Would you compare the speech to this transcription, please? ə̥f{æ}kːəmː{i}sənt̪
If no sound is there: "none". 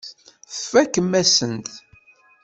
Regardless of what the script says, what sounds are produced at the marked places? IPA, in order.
æ, æ

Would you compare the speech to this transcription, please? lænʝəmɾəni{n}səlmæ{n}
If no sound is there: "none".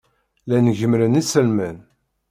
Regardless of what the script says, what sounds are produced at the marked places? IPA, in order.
none, n

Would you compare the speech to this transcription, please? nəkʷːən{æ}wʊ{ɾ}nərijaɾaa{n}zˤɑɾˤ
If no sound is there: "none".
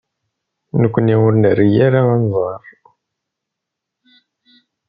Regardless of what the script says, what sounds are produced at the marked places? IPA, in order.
i, ɾ, n

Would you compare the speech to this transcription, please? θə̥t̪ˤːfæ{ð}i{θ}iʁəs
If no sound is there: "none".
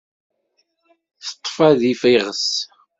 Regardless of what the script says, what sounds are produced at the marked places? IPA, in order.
ð, f

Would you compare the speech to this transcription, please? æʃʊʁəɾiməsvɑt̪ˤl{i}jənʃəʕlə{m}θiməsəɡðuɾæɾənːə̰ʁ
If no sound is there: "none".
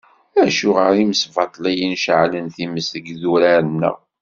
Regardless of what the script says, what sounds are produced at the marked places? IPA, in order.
æ, n

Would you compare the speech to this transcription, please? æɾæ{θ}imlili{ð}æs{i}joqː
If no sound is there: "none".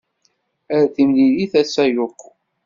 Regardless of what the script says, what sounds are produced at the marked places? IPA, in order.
θ, θ, æ

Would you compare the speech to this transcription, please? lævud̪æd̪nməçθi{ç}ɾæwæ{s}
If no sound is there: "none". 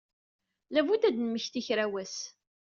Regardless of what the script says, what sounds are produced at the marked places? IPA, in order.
ç, s

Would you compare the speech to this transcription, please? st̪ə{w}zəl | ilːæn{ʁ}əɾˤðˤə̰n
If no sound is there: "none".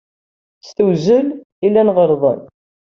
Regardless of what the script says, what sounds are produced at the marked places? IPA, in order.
w, ʁ

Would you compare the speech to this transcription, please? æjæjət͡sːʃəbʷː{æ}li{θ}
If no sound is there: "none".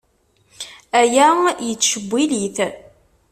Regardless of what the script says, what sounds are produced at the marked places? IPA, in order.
i, θ

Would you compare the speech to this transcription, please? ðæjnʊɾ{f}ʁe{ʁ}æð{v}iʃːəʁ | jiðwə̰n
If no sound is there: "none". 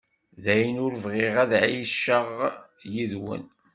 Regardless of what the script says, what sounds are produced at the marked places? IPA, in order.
v, ʁ, ʕ

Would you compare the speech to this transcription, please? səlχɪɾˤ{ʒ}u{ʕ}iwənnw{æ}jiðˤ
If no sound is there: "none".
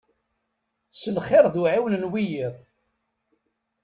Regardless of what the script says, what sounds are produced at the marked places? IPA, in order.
ð, ʕ, i

